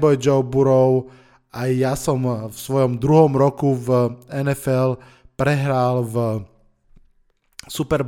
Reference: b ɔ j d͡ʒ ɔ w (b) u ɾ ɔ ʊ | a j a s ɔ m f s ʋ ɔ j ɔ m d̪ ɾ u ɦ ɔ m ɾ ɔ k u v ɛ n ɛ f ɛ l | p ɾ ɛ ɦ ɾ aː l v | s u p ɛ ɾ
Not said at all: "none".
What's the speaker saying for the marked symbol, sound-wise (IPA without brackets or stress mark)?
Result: b